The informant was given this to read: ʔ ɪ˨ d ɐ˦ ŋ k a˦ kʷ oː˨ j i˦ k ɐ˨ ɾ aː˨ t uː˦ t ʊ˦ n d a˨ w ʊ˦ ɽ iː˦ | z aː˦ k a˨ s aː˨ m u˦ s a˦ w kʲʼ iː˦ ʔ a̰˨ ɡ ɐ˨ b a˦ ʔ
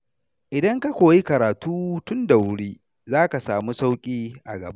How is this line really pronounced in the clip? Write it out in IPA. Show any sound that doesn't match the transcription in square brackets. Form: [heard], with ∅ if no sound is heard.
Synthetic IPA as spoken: ʔ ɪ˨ d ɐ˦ ŋ k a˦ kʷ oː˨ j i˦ k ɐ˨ ɾ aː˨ t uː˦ t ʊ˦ n d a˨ w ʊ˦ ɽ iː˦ | z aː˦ k a˨ s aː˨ m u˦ s a˦ w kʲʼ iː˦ ʔ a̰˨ ɡ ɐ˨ b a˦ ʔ